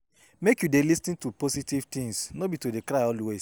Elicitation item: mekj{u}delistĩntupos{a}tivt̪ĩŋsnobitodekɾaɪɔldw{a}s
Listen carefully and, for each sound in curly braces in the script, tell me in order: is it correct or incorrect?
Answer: correct, incorrect: i, incorrect: e

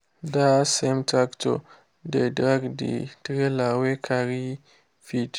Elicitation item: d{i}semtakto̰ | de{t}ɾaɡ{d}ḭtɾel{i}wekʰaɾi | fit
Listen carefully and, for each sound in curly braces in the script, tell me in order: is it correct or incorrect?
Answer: incorrect: a, incorrect: d, correct, incorrect: a

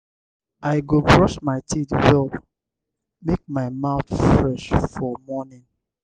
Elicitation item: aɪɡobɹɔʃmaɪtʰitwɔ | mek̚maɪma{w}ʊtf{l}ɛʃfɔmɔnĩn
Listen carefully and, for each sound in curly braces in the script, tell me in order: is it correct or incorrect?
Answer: incorrect: none, incorrect: ɹ

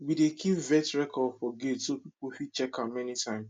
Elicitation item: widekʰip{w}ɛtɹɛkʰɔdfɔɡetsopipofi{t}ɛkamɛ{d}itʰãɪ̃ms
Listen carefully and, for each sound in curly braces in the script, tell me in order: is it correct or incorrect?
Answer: incorrect: v, incorrect: t͡ʃ, incorrect: n

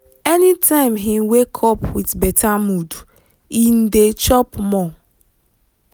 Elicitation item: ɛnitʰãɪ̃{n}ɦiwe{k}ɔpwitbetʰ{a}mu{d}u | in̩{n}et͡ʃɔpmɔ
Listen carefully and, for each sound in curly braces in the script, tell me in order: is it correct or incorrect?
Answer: incorrect: m, incorrect: kʰ, correct, correct, incorrect: d

